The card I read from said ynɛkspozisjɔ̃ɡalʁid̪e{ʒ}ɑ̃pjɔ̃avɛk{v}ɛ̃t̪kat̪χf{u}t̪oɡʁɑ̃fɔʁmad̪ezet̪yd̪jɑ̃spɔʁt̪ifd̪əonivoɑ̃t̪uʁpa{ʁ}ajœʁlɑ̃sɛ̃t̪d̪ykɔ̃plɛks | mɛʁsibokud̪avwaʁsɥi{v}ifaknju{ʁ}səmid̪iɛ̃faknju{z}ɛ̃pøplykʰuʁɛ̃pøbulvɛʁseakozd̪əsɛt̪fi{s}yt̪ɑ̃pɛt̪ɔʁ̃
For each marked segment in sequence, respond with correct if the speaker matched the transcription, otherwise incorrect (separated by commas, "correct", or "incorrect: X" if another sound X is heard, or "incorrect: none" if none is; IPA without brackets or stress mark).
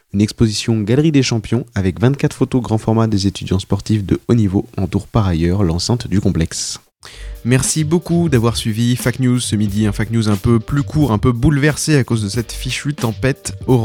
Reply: incorrect: ʃ, correct, incorrect: o, correct, correct, incorrect: z, correct, incorrect: ʃ